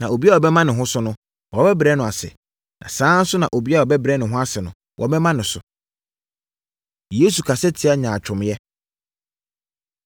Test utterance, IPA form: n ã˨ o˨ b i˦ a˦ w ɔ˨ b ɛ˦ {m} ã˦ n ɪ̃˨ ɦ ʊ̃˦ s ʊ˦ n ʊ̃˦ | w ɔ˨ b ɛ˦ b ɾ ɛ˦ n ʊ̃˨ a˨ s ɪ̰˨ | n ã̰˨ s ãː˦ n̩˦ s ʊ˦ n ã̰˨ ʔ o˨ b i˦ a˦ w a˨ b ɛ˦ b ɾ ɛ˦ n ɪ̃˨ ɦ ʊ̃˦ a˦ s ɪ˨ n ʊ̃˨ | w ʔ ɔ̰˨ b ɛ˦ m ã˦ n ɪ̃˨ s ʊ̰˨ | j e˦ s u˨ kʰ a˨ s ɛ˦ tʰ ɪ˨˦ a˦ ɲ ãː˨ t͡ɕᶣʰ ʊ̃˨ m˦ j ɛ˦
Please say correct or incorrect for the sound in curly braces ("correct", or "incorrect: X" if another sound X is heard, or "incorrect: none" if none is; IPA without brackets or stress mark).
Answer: correct